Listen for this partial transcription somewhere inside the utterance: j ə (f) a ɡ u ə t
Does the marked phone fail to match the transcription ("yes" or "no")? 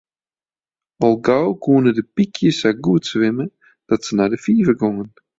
yes